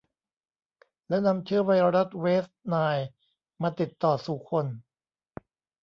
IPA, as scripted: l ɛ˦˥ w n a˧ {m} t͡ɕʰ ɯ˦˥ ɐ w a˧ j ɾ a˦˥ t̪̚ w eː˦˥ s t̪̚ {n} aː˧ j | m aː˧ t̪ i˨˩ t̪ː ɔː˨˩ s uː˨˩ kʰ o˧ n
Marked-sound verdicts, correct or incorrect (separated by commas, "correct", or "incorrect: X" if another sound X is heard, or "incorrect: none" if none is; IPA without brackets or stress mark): correct, correct